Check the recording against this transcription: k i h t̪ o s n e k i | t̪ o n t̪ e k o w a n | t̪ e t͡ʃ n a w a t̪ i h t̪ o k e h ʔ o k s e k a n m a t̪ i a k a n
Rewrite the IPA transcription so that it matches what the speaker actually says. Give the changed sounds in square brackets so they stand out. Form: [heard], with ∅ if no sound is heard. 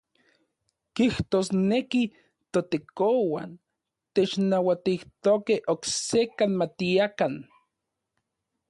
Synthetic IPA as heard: k i h t̪ o s n e k i | t̪ o [∅] t̪ e k o w a n | t̪ e t͡ʃ n a w a t̪ i h t̪ o k e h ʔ o k s e k a n m a t̪ i a k a n